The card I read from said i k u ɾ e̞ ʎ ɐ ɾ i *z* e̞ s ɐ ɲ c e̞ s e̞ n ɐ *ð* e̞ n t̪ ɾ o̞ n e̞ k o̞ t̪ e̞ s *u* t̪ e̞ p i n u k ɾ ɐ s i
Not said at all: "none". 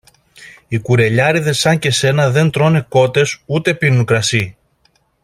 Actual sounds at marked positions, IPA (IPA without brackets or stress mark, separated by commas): ð, ð, u